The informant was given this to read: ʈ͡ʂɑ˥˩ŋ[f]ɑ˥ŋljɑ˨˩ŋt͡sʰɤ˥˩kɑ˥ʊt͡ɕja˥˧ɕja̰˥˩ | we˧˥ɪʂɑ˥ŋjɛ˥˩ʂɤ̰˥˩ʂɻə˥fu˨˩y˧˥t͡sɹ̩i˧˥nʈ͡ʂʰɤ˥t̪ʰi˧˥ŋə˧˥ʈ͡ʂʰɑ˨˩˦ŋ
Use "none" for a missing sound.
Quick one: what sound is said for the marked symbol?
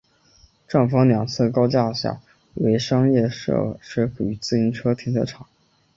f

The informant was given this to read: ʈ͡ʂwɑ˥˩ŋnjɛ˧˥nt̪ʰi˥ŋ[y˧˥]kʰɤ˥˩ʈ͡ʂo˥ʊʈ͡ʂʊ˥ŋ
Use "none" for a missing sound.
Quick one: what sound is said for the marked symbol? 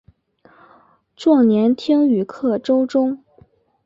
y˨˩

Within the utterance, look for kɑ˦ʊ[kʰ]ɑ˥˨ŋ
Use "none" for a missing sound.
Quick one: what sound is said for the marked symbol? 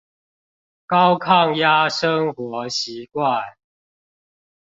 kʰ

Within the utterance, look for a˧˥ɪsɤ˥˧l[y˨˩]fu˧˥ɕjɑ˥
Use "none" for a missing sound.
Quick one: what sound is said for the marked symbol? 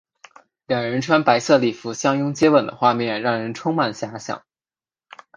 i˨˩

